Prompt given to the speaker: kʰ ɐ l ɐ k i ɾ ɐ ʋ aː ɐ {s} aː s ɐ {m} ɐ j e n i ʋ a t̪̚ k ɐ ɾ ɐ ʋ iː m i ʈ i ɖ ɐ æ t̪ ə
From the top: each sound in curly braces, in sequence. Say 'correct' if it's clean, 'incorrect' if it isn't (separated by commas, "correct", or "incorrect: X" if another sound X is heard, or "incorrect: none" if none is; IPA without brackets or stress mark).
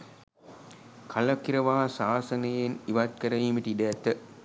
correct, incorrect: n